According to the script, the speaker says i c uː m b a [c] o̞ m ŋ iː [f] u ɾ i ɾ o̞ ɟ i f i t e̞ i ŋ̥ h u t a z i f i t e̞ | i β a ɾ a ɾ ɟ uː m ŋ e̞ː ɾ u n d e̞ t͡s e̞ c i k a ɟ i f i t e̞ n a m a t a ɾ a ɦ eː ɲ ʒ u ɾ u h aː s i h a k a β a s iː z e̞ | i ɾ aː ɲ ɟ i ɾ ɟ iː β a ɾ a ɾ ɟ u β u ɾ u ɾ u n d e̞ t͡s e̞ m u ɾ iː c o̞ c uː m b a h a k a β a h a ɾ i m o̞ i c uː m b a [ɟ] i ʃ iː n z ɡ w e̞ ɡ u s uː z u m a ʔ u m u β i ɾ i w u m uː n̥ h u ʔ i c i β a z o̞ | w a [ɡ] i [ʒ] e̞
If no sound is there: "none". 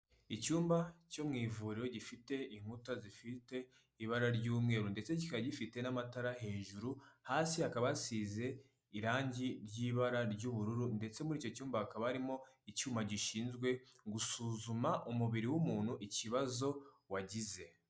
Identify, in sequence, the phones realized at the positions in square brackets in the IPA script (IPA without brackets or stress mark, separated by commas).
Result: c, v, ɟ, ɟ, z